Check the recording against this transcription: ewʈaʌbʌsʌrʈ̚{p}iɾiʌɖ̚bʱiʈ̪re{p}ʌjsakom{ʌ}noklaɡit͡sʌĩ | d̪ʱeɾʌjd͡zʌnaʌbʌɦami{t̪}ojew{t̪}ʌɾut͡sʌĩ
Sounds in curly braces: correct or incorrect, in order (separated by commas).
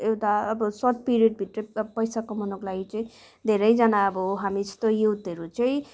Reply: correct, correct, correct, correct, correct